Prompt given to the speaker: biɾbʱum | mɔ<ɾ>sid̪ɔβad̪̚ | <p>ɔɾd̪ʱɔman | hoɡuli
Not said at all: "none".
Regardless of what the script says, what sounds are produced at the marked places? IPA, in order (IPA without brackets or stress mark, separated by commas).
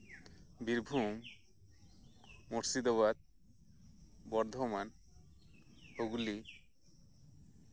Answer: ɾ, b